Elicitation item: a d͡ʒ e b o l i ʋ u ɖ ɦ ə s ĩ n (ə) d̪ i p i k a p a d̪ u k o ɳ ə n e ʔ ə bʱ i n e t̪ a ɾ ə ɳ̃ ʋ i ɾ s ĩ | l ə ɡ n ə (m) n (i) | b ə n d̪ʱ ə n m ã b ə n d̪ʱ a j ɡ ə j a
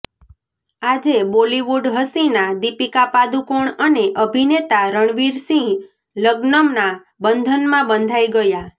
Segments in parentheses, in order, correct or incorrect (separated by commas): incorrect, correct, incorrect